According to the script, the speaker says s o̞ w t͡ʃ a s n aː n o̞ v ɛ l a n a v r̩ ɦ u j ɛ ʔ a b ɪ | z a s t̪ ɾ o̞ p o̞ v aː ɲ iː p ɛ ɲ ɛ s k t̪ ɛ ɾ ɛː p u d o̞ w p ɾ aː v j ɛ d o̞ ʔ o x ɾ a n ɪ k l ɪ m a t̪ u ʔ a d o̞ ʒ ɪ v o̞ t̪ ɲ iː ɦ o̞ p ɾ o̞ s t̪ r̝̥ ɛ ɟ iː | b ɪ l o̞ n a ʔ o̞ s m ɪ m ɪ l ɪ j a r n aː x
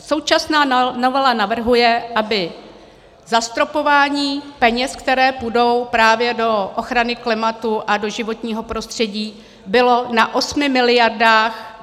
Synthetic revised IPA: s o̞ w t͡ʃ a s n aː n o̞ v ɛ l a n a v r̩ ɦ u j ɛ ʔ a b ɪ | z a s t̪ ɾ o̞ p o̞ v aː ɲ iː p ɛ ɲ ɛ s k t̪ ɛ ɾ ɛː p u d o̞ w p ɾ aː v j ɛ d o̞ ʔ o x ɾ a n ɪ k l ɪ m a t̪ u ʔ a d o̞ ʒ ɪ v o̞ t̪ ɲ iː ɦ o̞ p ɾ o̞ s t̪ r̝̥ ɛ ɟ iː | b ɪ l o̞ n a ʔ o̞ s m ɪ m ɪ l ɪ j a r d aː x